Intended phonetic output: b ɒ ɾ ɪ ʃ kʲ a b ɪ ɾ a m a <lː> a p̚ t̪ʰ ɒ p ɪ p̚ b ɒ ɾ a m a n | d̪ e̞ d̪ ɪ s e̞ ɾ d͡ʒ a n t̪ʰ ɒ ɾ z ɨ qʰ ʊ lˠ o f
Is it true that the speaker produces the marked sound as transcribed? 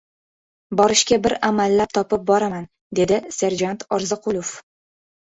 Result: yes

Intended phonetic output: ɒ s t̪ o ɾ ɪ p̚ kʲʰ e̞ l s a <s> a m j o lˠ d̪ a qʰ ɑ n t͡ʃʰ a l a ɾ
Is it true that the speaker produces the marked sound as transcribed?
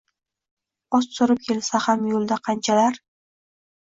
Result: no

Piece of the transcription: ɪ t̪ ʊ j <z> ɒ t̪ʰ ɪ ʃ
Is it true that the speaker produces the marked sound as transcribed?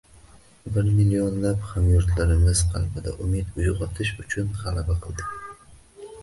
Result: no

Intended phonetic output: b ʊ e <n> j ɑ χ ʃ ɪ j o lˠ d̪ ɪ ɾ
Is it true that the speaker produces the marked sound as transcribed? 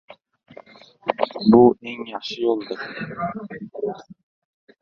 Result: no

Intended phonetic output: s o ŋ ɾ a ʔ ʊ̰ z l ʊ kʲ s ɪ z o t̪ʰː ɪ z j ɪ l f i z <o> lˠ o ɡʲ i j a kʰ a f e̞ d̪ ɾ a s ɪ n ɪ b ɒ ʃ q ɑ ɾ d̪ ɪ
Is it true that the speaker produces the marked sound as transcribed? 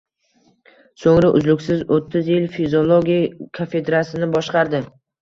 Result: yes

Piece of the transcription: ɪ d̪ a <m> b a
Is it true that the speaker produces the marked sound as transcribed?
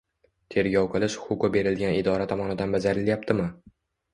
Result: no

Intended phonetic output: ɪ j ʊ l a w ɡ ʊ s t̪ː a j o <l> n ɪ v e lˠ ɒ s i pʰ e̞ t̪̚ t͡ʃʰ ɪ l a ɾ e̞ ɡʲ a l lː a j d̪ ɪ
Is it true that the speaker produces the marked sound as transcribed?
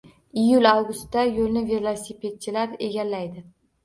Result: yes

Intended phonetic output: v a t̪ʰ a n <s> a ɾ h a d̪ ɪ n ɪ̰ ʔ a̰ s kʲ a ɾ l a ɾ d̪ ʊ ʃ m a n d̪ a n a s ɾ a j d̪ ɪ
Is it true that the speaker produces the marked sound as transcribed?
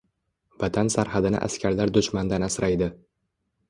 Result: yes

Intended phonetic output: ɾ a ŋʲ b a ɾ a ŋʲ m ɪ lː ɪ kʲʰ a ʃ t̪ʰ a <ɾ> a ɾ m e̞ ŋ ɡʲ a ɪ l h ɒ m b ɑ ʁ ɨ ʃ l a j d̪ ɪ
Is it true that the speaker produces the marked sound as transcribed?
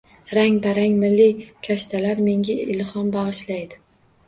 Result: no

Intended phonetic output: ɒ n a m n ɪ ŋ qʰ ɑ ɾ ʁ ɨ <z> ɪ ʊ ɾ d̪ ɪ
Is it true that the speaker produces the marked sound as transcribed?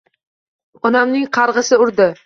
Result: no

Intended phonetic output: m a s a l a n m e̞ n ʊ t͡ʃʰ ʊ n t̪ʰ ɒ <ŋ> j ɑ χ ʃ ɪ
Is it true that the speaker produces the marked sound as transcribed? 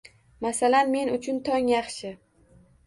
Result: yes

